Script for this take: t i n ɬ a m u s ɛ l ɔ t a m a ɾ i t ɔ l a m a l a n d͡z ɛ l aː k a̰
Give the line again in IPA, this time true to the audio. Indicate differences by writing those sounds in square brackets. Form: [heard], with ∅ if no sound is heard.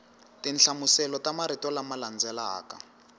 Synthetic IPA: t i n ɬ a m u s ɛ l ɔ t a m a ɾ i t ɔ l a m a l a n d͡z ɛ l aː k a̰